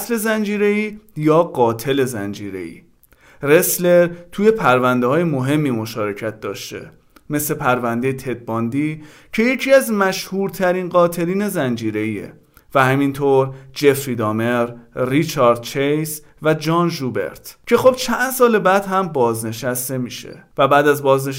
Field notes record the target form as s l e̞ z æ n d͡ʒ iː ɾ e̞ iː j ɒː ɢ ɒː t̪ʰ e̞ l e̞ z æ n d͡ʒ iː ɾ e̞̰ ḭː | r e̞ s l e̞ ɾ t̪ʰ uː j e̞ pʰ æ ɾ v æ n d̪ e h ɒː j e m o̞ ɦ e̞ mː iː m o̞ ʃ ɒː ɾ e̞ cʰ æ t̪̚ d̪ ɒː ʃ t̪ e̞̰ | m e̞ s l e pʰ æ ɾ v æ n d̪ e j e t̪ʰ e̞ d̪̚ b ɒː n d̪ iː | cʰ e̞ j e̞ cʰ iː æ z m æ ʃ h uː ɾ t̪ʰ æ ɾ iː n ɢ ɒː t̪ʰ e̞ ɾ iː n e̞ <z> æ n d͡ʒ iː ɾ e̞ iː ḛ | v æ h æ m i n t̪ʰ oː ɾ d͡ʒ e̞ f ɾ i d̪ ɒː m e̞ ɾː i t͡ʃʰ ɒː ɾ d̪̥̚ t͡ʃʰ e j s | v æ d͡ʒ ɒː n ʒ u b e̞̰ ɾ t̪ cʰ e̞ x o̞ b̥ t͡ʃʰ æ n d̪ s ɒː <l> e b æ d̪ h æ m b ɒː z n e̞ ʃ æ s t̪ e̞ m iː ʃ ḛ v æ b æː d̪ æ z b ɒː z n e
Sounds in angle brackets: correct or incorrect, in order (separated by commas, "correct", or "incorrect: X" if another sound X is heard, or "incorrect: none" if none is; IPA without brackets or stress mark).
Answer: correct, correct